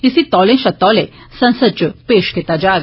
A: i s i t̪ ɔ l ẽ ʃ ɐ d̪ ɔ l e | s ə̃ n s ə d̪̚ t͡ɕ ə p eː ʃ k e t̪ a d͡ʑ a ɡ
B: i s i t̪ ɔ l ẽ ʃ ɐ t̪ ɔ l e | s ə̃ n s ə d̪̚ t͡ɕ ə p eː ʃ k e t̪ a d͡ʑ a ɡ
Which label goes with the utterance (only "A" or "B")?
B